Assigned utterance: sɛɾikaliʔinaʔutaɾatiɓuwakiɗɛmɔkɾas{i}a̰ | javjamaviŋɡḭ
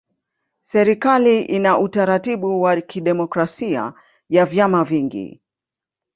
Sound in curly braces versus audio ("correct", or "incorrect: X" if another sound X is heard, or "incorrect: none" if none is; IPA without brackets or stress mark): correct